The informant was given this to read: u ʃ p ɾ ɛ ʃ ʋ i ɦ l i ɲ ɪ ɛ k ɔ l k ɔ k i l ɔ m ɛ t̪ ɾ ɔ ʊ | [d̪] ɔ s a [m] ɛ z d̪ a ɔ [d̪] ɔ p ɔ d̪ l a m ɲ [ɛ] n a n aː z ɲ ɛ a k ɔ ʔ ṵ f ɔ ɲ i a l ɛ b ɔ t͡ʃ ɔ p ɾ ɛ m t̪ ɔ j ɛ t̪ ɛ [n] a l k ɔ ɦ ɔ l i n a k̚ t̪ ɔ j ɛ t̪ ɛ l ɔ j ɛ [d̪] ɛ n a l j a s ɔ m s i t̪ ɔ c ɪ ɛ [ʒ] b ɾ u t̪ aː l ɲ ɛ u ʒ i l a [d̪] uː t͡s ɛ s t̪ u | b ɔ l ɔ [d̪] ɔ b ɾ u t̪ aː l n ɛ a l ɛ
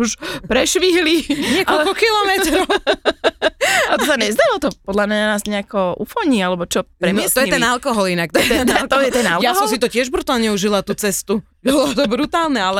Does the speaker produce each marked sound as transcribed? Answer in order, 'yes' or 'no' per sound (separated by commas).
no, no, no, no, yes, no, yes, no, no